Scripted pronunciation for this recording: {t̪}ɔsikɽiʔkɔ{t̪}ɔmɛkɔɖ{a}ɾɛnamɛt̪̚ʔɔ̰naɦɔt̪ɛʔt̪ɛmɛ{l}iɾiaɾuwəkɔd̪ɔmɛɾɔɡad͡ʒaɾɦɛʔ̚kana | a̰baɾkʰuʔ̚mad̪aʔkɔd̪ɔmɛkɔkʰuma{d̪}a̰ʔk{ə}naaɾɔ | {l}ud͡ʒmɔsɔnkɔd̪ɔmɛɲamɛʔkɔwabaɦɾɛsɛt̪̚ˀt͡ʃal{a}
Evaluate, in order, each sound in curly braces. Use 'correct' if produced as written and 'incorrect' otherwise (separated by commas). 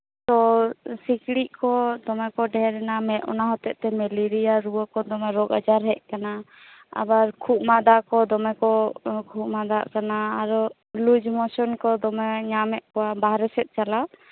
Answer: correct, incorrect, incorrect, correct, correct, incorrect, correct, correct